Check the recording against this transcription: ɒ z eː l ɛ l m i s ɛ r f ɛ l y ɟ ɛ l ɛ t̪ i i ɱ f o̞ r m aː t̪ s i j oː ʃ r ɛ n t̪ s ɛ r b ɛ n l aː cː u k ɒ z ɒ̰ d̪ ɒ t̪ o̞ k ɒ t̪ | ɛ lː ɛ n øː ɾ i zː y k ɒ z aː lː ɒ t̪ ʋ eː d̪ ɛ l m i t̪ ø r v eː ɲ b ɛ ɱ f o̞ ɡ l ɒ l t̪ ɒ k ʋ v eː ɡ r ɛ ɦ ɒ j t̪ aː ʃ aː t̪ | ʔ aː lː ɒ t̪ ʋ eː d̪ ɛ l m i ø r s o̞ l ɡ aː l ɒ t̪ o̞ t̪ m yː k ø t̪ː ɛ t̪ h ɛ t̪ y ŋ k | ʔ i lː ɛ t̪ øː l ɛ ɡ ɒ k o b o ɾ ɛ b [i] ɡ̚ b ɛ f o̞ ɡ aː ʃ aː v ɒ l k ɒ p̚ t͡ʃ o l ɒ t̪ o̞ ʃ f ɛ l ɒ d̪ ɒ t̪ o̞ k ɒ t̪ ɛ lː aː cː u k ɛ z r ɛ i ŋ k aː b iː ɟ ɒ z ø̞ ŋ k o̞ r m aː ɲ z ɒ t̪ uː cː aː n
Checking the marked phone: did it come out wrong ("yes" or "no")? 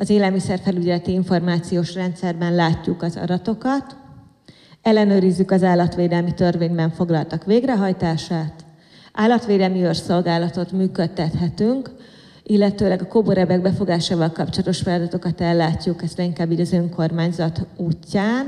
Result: yes